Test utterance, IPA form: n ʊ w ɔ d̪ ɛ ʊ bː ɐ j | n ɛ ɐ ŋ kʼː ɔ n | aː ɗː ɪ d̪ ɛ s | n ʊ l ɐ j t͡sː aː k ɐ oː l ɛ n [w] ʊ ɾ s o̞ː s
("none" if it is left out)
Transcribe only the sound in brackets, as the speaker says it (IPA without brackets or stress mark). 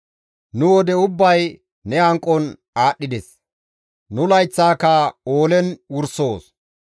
w